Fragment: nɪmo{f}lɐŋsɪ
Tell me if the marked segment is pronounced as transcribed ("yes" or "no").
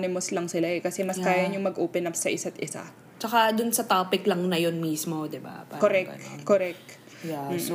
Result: no